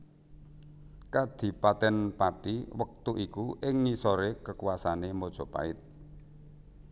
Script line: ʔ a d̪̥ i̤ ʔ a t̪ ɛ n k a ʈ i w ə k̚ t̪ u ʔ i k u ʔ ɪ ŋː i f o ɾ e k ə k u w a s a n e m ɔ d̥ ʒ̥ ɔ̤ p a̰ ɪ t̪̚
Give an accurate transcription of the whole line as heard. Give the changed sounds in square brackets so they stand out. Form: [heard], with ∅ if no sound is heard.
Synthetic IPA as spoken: [k] a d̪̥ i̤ [p] a t̪ ɛ n [p] a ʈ i w ə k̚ t̪ u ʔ i k u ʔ ɪ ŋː i [s] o ɾ e k ə k u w a s a n e m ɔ d̥ ʒ̥ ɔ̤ p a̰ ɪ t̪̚